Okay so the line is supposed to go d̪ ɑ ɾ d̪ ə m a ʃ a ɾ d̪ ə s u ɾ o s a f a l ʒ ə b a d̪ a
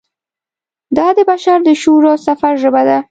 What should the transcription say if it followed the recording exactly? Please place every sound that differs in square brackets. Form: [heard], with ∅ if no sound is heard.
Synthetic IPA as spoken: d̪ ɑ [∅] d̪ ə [b] a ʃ a ɾ d̪ ə [ʃ] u ɾ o s a f a [ɾ] ʒ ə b a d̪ a